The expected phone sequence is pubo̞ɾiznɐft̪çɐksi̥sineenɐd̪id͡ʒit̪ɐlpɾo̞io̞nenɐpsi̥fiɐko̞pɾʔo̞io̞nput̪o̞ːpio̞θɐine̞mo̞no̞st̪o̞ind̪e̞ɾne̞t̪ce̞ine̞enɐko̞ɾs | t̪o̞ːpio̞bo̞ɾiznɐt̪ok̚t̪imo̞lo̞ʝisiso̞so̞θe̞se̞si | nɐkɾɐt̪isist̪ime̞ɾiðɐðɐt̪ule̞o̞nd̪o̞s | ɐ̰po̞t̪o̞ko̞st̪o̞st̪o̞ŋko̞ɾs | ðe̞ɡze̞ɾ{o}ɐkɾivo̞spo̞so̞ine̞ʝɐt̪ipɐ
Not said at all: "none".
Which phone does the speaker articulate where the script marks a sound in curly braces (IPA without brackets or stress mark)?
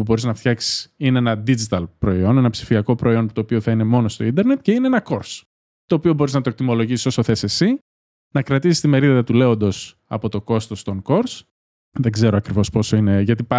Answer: o